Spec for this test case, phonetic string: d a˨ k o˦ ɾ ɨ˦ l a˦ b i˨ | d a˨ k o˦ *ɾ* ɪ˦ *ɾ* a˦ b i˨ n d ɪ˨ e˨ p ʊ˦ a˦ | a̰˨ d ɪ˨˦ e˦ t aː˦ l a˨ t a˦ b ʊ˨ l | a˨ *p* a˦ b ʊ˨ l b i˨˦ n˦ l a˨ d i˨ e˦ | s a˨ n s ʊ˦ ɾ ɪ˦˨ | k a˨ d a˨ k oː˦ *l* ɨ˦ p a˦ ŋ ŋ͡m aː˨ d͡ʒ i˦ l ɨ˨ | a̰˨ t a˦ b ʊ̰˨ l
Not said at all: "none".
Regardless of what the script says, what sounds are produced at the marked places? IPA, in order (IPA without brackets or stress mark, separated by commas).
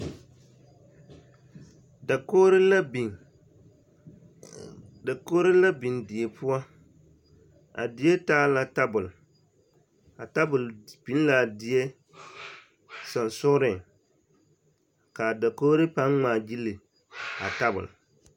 ɾ, l, t, ɾ